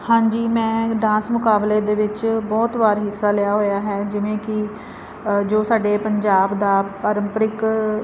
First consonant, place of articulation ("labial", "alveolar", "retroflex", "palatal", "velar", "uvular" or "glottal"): glottal